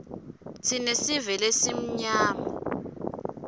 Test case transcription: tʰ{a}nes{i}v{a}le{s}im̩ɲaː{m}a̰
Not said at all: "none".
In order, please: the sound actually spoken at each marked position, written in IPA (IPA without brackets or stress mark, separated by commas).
i, i, ɛ, s, m